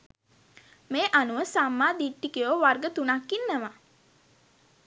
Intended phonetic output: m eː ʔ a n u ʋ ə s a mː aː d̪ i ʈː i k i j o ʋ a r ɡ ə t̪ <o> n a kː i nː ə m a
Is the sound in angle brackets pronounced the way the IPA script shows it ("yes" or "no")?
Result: no